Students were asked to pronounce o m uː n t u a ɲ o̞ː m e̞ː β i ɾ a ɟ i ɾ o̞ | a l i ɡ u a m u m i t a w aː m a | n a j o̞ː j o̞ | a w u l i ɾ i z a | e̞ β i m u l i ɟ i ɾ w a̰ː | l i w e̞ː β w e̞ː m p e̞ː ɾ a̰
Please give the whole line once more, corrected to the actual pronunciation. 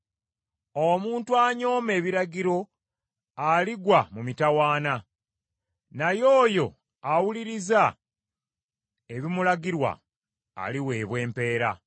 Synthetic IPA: o m uː n t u a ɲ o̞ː m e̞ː β i ɾ a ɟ i ɾ o̞ | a l i ɡ w a m u m i t a w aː n a | n a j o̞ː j o̞ | a w u l i ɾ i z a | e̞ β i m u l a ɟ i ɾ w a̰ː | l i w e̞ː β w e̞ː m p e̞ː ɾ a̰